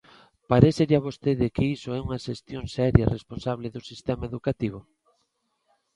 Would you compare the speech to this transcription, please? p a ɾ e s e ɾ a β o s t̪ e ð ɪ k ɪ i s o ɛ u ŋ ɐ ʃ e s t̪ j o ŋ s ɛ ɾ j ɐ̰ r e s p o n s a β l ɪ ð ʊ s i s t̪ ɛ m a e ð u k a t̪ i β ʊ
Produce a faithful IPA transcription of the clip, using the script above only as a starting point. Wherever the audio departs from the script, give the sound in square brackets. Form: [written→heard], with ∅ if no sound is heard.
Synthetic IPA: p a ɾ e s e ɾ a β o s t̪ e ð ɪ k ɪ i s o ɛ u ŋ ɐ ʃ e s t̪ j o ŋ s ɛ ɾ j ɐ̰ r e s p o n s a β l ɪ ð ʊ s i s t̪ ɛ m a e ð u k a t̪ i β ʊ